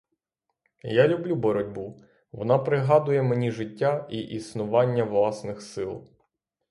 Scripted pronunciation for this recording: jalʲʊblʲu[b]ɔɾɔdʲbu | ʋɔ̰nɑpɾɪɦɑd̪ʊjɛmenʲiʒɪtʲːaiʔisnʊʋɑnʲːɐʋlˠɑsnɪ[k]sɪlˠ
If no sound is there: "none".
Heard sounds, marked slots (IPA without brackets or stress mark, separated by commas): b, x